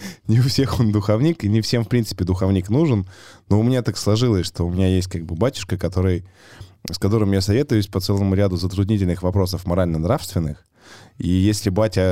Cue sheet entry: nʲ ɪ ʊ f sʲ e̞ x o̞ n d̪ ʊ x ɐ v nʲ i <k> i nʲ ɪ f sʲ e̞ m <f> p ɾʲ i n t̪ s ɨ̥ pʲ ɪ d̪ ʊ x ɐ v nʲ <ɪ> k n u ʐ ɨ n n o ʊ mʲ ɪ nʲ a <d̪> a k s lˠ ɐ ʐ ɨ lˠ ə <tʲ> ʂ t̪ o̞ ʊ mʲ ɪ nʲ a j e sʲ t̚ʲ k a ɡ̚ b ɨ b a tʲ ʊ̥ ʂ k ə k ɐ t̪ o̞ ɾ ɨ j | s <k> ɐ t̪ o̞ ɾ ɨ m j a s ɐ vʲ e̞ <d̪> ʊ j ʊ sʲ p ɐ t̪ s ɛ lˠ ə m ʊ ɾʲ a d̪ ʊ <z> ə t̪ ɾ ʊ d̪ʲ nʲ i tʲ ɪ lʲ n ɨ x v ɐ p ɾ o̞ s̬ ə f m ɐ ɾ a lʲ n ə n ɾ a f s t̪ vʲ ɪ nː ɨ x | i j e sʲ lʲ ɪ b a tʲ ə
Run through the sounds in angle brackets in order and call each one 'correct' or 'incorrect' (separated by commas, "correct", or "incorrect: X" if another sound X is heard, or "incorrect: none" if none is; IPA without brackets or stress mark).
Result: correct, correct, incorrect: i, incorrect: t̪, incorrect: sʲ, correct, incorrect: t̪, correct